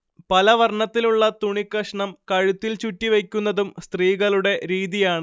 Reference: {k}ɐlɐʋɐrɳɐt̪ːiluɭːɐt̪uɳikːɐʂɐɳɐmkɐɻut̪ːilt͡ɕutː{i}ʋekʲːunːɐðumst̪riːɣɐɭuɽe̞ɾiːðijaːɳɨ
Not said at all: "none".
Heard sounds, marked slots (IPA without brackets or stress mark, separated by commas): p, i